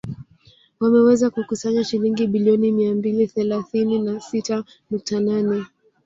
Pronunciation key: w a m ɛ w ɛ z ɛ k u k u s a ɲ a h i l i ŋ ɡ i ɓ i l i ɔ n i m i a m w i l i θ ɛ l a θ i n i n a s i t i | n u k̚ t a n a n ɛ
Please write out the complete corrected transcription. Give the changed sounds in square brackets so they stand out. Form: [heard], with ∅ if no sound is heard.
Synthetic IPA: w a m ɛ w ɛ z [a] k u k u s a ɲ a [ʃ] i l i ŋ ɡ i ɓ i l i ɔ n i m i a m [b] i l i θ ɛ l a θ i n i n a s i t [a] | n u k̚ t a n a n ɛ

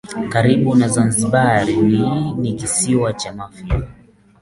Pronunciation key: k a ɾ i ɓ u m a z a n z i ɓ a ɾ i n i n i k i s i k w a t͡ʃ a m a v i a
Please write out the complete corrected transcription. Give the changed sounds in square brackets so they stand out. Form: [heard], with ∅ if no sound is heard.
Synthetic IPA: k a ɾ i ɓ u [n] a z a n z i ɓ a ɾ i n i n i k i s i [∅] w a t͡ʃ a m a [f] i a

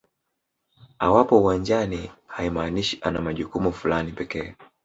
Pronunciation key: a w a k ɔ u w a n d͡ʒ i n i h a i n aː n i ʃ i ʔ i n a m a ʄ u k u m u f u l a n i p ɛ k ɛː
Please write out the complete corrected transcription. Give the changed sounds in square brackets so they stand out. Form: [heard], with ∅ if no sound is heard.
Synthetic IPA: a w a [p] ɔ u w a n d͡ʒ [a] n i h a i [m] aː n i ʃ i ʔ [a] n a m a ʄ u k u m u f u l a n i p ɛ k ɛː

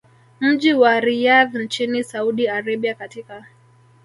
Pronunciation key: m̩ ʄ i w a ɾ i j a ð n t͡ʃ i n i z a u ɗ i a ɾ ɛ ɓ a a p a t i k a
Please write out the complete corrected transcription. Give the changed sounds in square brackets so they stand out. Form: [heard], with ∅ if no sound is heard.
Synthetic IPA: m̩ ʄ i w a ɾ i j a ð n t͡ʃ i n i [s] a u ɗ i a ɾ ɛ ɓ [i] a [k] a t i k a

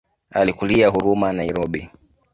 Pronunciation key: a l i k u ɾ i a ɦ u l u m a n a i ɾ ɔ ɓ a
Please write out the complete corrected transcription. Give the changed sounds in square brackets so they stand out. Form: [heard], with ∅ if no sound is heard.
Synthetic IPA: a l i k u [l] i a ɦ u [ɾ] u m a n a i ɾ ɔ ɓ [i]

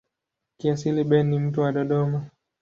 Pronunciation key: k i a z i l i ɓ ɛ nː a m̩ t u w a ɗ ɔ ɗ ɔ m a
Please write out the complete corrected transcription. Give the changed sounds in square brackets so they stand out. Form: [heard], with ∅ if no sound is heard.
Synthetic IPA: k i a [s] i l i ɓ ɛ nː [i] m̩ t u w a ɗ ɔ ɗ ɔ m a

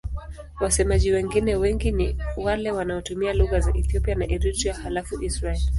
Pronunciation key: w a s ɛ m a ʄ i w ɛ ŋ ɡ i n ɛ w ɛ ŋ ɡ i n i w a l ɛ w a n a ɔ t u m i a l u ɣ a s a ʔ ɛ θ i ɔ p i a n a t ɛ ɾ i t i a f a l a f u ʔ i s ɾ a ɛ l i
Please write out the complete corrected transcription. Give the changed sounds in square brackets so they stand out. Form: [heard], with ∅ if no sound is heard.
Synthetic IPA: w a s ɛ m a ʄ i w ɛ ŋ ɡ i n ɛ w ɛ ŋ ɡ i n i w a l ɛ w a n a ɔ t u m i a l u ɣ a [z] a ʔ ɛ θ i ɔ p i a n a [ʔ] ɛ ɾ i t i a [h] a l a f u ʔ i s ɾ a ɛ l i

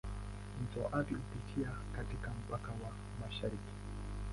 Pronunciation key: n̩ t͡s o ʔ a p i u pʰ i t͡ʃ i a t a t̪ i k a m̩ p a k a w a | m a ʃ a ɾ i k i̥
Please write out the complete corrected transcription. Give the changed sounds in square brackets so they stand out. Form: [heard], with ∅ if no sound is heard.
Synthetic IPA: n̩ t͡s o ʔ a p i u [p] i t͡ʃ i a [k] a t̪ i k a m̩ p a k a w a | m a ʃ a ɾ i k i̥

